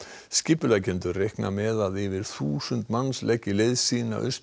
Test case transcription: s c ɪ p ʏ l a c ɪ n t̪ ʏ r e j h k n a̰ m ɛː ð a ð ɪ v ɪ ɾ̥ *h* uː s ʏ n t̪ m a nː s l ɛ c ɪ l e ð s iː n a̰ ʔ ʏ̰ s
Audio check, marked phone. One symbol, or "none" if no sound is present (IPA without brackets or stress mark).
θ